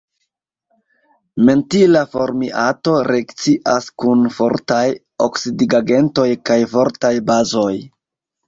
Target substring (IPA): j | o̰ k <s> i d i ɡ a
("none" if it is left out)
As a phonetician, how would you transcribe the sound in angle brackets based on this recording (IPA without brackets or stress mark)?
s